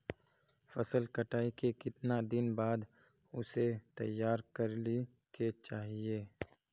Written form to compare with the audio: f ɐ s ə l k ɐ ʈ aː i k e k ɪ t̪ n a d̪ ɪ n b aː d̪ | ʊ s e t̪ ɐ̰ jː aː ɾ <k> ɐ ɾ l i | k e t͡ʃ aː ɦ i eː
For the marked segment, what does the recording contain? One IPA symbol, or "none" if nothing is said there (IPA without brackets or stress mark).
k